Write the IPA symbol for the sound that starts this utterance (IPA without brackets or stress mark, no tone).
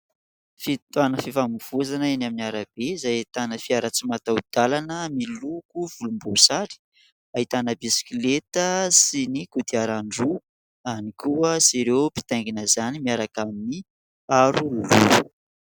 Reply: f